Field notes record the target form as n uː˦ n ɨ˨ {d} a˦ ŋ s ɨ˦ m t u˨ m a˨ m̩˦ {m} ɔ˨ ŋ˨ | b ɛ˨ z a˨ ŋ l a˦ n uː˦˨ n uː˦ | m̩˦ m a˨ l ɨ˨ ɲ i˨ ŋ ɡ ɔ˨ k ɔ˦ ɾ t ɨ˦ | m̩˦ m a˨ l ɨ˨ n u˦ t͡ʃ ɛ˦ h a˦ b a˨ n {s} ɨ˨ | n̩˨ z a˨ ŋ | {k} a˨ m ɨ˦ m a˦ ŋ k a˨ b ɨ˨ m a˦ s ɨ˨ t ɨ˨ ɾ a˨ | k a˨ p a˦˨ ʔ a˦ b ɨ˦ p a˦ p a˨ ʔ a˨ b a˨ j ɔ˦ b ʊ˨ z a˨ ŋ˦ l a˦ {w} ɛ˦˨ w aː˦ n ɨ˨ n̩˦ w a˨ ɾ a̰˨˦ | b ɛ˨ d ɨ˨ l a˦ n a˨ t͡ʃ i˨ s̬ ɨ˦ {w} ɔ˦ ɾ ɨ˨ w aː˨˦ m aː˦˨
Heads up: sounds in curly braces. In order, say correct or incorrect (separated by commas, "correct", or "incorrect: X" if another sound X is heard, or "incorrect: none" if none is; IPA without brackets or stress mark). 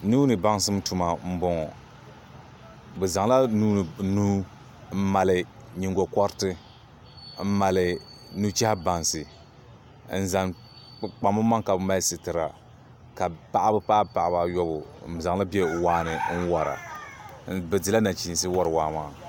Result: incorrect: b, incorrect: b, correct, incorrect: k͡p, incorrect: b, correct